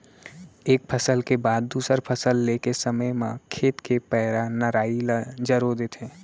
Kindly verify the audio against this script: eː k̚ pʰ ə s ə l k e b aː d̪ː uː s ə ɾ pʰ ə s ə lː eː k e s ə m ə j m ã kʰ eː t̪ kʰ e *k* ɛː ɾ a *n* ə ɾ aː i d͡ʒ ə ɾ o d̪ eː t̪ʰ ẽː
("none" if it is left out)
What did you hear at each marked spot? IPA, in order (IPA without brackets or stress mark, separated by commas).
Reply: p, n